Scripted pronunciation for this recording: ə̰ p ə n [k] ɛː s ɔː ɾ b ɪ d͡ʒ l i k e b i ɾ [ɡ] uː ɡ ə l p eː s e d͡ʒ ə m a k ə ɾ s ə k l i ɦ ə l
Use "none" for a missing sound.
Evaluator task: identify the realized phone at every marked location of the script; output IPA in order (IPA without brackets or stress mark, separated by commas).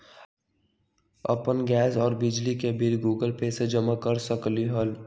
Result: ɡ, ɡ